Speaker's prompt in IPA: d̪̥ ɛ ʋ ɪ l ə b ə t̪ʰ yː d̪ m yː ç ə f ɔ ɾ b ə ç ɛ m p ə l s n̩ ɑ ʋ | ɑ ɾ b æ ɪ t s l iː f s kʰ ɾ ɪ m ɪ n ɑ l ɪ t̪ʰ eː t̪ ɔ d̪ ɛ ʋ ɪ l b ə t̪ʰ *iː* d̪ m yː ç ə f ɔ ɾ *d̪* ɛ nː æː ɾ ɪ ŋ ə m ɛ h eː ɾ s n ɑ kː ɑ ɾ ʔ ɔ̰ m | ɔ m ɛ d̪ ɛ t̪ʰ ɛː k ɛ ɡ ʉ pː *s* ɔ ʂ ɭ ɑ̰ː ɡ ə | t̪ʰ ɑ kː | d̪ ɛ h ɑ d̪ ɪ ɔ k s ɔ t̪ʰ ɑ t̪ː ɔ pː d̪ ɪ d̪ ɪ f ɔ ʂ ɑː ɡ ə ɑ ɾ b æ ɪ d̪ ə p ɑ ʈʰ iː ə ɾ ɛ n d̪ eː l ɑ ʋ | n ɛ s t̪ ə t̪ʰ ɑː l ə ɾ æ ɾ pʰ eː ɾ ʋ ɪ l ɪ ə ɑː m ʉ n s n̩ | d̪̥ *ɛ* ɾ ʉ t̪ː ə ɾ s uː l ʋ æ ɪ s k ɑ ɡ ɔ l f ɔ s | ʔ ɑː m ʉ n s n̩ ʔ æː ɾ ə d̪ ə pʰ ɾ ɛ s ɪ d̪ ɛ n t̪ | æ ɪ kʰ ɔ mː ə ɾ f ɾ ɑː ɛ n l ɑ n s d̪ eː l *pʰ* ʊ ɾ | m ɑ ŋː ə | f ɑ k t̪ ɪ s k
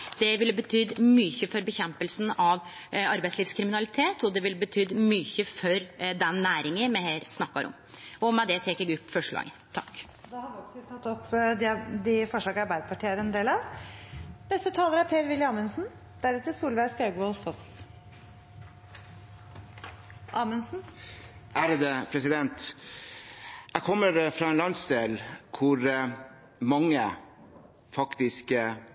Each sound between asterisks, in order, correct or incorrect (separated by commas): incorrect, correct, incorrect, incorrect, incorrect